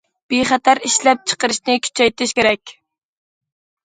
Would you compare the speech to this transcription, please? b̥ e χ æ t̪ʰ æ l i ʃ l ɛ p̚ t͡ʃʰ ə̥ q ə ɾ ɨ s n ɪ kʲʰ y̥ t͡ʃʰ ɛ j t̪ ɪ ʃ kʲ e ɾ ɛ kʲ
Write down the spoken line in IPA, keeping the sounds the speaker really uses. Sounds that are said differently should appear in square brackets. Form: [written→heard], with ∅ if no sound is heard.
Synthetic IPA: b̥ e χ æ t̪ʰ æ [l→ɾ] i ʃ l ɛ p̚ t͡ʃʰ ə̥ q ə ɾ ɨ [s→ʃ] n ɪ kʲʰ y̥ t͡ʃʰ ɛ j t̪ ɪ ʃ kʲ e ɾ ɛ kʲ